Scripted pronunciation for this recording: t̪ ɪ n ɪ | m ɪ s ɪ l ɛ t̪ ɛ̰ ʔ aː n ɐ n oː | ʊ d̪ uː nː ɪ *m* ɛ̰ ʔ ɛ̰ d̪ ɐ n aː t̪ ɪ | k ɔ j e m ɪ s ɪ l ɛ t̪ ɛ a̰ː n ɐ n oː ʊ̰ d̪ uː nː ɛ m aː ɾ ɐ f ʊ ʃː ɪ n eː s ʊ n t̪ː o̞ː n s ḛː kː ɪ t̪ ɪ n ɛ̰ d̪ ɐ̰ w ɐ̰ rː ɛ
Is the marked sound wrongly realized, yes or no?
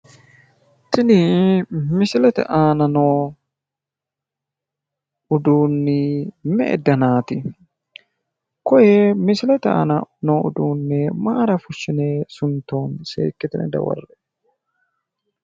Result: no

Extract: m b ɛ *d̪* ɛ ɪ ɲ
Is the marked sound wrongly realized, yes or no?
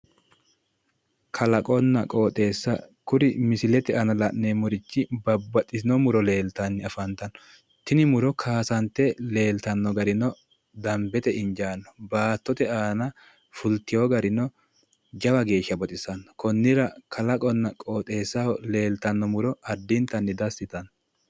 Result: yes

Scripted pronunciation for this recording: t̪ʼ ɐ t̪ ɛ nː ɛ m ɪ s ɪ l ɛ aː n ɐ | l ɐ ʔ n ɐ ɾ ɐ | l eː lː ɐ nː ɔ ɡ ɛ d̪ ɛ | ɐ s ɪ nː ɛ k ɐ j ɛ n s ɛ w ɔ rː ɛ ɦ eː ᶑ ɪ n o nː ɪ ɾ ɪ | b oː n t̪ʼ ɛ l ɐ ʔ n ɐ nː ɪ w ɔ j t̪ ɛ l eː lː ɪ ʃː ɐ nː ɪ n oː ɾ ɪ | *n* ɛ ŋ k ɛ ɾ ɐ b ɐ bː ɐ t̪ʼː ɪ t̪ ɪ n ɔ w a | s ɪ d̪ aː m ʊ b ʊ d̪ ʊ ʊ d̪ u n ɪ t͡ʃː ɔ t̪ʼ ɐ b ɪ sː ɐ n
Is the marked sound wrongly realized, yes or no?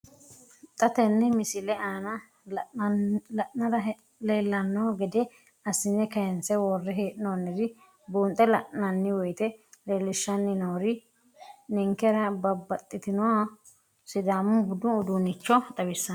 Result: no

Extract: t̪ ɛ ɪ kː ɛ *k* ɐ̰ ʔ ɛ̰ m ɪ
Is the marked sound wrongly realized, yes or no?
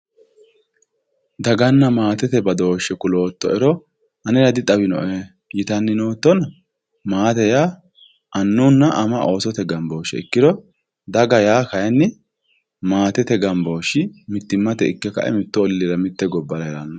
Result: no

